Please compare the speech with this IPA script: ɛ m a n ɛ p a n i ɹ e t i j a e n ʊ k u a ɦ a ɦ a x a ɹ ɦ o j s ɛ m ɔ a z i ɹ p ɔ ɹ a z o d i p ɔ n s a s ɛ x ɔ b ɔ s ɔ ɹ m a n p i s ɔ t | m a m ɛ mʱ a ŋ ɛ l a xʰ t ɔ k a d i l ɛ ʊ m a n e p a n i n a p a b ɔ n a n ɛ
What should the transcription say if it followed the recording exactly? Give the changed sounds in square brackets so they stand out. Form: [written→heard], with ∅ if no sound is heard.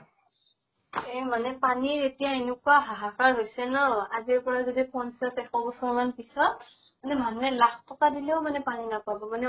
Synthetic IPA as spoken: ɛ m a n ɛ p a n i ɹ e t i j a e n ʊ k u a ɦ a ɦ a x a ɹ ɦ o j s ɛ [m→n] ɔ a z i ɹ p ɔ ɹ a z o d i p ɔ n s a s ɛ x ɔ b ɔ s ɔ ɹ m a n p i s ɔ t | m a [m→n] ɛ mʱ a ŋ ɛ l a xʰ t ɔ k a d i l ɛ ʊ m a n [e→ɛ] p a n i n a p a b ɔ [n→m] a n ɛ